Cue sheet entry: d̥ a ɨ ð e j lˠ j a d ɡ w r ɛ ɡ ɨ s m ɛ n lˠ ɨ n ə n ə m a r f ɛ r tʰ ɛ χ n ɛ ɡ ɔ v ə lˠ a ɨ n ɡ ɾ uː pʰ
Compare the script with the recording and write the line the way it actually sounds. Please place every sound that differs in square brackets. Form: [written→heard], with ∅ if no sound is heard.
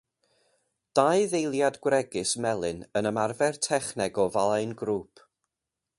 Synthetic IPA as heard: d̥ a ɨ ð e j lˠ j a d ɡ w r ɛ ɡ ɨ s m ɛ [n→∅] lˠ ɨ n ə n ə m a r [f→v] ɛ r tʰ ɛ χ n ɛ ɡ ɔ v [ə→a] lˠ a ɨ n ɡ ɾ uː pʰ